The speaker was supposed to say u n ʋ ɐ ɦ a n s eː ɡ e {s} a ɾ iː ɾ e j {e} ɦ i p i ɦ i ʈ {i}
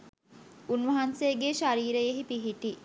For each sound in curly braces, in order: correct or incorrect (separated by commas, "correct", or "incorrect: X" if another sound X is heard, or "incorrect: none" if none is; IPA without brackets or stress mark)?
incorrect: ʃ, correct, correct